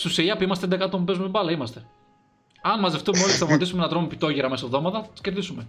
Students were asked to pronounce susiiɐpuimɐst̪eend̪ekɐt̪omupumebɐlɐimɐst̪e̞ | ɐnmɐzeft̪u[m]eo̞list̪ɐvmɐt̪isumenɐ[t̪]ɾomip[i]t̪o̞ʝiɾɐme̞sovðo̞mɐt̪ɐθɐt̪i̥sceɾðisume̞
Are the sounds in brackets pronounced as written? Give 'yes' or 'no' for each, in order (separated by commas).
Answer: yes, yes, yes